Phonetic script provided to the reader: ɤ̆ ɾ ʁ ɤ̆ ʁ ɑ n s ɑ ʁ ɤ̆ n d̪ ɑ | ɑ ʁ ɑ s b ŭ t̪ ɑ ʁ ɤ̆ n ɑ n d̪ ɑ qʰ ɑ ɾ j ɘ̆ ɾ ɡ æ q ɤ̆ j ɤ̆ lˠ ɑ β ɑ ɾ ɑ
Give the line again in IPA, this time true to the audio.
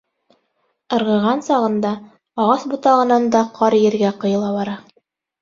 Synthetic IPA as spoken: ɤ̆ ɾ ʁ ɤ̆ ʁ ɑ n s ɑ ʁ ɤ̆ n d̪ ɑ | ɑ ʁ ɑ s b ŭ t̪ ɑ ʁ ɤ̆ n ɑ n d̪ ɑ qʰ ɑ ɾ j ɘ̆ ɾ ɡ æ q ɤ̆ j ɤ̆ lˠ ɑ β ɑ ɾ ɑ